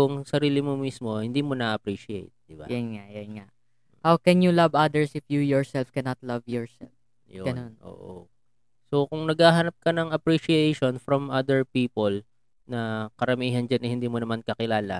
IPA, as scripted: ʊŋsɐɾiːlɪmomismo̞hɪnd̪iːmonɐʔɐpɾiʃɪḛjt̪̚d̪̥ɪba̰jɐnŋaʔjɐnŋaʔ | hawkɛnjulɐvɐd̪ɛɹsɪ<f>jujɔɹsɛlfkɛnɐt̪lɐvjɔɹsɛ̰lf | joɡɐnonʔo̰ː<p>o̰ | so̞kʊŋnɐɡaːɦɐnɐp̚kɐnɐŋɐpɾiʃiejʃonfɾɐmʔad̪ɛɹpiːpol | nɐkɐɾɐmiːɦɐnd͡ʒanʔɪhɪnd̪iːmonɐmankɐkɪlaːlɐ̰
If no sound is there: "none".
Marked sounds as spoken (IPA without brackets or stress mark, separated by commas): f, ʔ